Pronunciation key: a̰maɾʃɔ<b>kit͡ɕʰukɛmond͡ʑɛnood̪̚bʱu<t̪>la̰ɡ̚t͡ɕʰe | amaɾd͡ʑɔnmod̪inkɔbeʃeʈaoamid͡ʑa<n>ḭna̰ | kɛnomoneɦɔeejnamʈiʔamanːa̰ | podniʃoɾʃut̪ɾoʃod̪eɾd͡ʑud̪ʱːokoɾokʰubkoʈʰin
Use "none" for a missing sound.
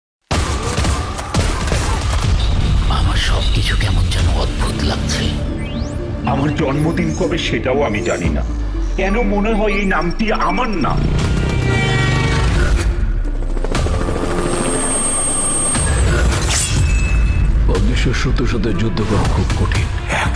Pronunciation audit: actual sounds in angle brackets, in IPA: b, t̪, n

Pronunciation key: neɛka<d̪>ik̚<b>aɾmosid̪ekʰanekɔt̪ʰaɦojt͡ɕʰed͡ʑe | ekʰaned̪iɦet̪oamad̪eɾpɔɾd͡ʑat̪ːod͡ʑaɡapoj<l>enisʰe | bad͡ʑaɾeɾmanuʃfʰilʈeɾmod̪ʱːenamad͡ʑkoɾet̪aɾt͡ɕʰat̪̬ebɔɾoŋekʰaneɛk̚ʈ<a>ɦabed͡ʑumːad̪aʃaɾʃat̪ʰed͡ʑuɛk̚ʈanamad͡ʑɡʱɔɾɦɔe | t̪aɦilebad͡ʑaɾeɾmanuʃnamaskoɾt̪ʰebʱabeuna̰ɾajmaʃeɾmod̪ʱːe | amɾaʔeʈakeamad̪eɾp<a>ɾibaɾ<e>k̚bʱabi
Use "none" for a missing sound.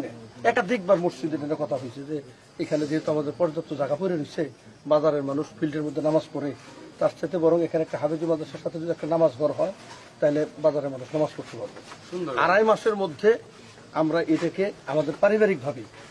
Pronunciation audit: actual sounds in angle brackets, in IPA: d̪, b, ɾ, a, a, i

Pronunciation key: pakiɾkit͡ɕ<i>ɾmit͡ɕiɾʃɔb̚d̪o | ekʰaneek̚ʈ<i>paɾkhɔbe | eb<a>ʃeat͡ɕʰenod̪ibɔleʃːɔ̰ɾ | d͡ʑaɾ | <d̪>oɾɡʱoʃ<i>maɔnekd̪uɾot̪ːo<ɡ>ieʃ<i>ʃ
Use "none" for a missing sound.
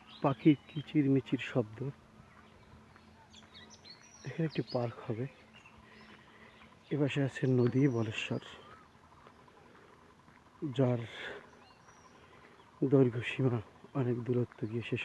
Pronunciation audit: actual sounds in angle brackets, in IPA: i, i, a, d̪, i, ɡ, e

